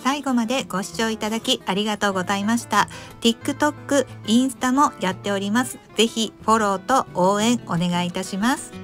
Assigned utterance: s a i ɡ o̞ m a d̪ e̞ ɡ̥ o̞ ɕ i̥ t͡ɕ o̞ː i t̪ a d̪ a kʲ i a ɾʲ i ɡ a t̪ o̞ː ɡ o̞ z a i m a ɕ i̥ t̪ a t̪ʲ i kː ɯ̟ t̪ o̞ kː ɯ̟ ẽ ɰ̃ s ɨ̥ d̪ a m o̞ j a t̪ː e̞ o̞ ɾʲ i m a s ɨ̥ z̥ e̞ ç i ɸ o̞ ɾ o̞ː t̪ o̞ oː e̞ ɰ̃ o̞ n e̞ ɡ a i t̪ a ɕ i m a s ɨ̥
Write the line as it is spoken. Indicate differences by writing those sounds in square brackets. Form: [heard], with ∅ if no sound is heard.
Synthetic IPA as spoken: s a i ɡ o̞ m a d̪ e̞ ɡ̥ o̞ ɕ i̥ t͡ɕ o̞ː i t̪ a d̪ a kʲ i a ɾʲ i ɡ a t̪ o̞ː ɡ o̞ z a i m a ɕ i̥ t̪ a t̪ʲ i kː ɯ̟ t̪ o̞ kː ɯ̟ [ĩ] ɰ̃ s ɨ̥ [t̪] a m o̞ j a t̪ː e̞ o̞ ɾʲ i m a s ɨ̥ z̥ e̞ ç i ɸ o̞ ɾ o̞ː t̪ o̞ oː [ẽ̞] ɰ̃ o̞ n e̞ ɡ a i t̪ a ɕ i m a s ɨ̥

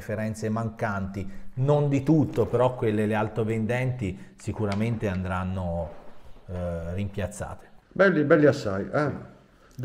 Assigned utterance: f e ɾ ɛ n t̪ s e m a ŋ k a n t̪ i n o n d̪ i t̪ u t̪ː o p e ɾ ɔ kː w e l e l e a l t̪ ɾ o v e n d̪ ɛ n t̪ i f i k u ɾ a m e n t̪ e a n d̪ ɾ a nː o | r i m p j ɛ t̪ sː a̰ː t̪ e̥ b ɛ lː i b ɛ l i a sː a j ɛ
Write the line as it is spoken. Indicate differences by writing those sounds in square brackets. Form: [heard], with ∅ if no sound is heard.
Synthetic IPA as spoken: f e ɾ ɛ n t̪ s e m a ŋ k a n t̪ i n o n d̪ i t̪ u t̪ː o p e ɾ ɔ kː w e [lː] e l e a l t̪ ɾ o v e n d̪ ɛ n t̪ i [s] i k u ɾ a m e n t̪ e a n d̪ ɾ a nː o | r i m p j [a] t̪ sː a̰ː t̪ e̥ b ɛ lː i b ɛ [lː] i a sː a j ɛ

